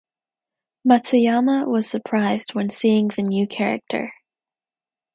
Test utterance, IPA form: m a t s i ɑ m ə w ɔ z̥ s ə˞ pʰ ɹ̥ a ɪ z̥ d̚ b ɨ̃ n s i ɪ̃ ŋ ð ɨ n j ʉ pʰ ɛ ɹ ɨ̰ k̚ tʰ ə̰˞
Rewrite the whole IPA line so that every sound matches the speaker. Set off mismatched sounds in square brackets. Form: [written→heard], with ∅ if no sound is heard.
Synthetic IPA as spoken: m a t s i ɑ m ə w [ɔ→ʌ] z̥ s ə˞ pʰ ɹ̥ a ɪ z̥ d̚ [b→w] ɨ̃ n s i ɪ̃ ŋ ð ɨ n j ʉ [pʰ→kʰ] ɛ ɹ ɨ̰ k̚ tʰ ə̰˞